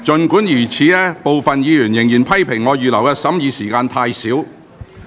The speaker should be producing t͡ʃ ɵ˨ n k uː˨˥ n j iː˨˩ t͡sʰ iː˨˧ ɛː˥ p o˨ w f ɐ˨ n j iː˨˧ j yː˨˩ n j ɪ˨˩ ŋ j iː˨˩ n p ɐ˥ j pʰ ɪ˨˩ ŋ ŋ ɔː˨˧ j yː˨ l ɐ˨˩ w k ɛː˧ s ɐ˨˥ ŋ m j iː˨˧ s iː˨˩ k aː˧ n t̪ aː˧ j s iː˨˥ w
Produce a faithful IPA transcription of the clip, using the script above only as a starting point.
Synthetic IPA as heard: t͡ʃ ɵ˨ n k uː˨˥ n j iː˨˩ t͡sʰ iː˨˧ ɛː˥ p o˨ w f ɐ˨ n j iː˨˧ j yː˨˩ n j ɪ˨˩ ŋ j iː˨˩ n pʰ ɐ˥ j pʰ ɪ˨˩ ŋ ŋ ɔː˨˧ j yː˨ l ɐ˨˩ w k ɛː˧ s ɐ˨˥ m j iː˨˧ s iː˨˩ k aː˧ n t̪ʰ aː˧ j s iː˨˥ w